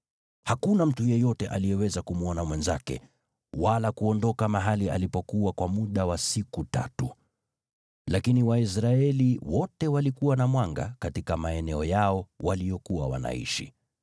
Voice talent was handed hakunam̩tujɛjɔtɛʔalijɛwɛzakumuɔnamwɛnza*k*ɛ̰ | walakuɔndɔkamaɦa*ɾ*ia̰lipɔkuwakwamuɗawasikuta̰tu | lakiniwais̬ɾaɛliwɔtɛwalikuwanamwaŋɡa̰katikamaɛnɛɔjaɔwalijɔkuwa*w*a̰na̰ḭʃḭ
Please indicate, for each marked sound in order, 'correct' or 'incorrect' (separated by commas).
correct, incorrect, correct